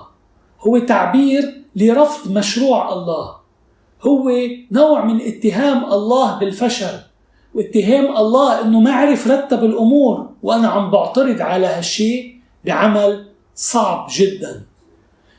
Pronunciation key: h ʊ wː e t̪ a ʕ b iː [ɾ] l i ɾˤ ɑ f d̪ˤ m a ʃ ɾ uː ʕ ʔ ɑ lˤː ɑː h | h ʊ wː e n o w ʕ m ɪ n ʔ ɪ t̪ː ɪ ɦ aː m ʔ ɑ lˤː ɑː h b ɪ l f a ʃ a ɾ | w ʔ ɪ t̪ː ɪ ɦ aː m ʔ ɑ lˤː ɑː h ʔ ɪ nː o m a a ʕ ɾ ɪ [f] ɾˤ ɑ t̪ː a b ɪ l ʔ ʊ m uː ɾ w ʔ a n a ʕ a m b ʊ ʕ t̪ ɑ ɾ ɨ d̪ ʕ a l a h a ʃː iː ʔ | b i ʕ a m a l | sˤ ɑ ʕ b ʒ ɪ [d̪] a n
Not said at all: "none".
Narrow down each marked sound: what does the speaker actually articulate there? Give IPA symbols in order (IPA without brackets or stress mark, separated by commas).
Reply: ɾ, f, d̪ː